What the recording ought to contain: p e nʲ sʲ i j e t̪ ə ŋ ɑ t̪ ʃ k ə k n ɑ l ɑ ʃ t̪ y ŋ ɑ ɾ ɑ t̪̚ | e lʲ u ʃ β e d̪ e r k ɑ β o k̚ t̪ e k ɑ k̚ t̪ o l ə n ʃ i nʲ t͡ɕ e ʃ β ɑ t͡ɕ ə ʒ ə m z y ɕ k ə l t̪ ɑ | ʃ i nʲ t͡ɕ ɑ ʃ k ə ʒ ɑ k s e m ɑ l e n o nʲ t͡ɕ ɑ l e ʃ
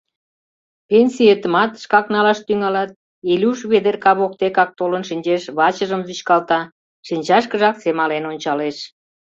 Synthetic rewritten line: p e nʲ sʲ i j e t̪ ə m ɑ t̪ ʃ k ɑ k n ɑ l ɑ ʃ t̪ y ŋ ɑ l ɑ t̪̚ | e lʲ u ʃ β e d̪ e r k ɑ β o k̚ t̪ e k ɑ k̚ t̪ o l ə n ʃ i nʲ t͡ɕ e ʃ β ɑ t͡ɕ ə ʒ ə m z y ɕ k ɑ l t̪ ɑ | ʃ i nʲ t͡ɕ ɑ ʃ k ə ʒ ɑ k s e m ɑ l e n o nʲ t͡ɕ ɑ l e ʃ

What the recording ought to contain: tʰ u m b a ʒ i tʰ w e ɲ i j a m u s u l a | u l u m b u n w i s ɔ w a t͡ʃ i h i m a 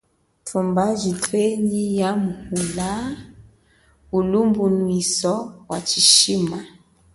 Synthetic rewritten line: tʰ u m b a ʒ i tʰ w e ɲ i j a m u h u l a | u l u m b u n w i s ɔ w a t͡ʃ i ʃ i m a

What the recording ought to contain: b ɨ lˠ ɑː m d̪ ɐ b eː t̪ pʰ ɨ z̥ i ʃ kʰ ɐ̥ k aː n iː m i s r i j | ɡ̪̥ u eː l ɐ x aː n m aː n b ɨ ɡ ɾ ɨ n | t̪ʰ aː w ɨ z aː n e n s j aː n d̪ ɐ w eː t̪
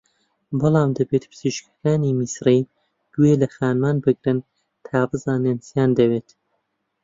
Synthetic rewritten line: b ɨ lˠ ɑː m d̪ ɐ b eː t̪ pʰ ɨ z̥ i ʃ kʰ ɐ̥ k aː n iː m i s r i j | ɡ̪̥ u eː l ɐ x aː n m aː n b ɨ ɡ ɾ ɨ n | t̪ʰ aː b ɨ z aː n e n s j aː n d̪ ɐ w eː t̪

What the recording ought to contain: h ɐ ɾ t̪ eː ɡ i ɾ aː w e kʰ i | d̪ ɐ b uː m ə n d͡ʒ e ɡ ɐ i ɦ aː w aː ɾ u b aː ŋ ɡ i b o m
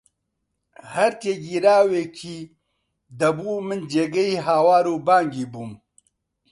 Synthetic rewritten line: h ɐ ɾ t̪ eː ɡ i ɾ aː w e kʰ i | d̪ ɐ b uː m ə n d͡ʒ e ɡ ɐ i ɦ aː w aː ɾ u b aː ŋ ɡ i b u m

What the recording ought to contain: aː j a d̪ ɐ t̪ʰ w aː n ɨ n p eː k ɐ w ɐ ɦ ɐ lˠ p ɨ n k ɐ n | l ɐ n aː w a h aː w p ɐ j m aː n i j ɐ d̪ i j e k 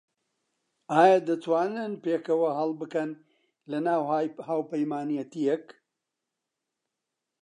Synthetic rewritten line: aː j a d̪ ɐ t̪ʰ w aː n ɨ n p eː k ɐ w ɐ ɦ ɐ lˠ b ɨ k ɐ n | l ɐ n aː w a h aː w p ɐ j m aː n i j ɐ t̪ i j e k

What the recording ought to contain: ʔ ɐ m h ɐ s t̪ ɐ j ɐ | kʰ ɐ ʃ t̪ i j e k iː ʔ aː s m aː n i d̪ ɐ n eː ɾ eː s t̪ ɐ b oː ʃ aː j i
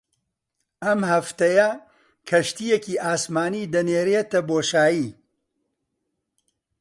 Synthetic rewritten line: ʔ ɐ m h ɐ f t̪ ɐ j ɐ | kʰ ɐ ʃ t̪ i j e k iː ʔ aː s m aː n i d̪ ɐ n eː ɾ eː t̪ ɐ b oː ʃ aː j i

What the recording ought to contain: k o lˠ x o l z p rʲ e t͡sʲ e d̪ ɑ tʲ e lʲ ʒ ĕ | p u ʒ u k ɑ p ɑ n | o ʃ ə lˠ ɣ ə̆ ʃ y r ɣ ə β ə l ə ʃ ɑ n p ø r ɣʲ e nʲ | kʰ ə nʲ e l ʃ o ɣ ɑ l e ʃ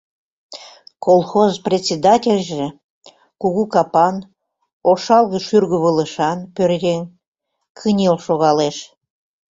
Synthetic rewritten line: k o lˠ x o z p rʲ e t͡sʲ e d̪ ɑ tʲ e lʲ ʒ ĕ | k u ɣ u k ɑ p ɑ n | o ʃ ɑ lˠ ɣ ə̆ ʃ y r ɣ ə β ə l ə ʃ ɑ n p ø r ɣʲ e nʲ | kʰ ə nʲ e l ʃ o ɣ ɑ l e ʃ

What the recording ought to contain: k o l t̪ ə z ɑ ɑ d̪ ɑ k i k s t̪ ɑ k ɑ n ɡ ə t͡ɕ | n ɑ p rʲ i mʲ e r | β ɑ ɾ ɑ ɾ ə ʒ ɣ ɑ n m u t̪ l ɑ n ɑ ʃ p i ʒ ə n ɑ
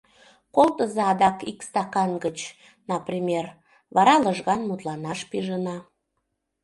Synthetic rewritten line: k o l t̪ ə z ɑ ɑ d̪ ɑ k i k s t̪ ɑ k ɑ n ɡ ə t͡ɕ | n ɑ p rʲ i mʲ e r | β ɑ ɾ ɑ l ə ʒ ɣ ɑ n m u t̪ l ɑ n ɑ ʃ p i ʒ ə n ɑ

